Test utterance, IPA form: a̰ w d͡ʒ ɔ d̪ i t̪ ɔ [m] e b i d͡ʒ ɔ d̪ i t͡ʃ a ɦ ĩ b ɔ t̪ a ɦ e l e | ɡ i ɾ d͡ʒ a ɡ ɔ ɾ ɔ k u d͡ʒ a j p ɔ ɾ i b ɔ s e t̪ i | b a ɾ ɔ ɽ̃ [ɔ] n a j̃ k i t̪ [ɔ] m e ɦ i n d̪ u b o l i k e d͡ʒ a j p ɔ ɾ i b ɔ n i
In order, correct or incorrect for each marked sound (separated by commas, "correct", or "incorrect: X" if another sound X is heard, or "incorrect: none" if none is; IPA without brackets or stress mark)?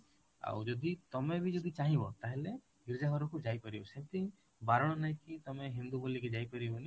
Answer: correct, correct, correct